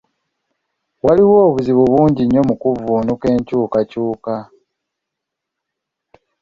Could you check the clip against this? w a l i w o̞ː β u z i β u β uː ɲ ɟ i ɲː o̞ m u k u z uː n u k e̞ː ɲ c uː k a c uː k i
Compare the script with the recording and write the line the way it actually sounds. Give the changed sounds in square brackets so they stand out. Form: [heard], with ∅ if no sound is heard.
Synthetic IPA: w a l i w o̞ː β u z i β u β uː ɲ ɟ i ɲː o̞ m u k u [v] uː n u k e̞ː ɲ c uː k a c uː k [a]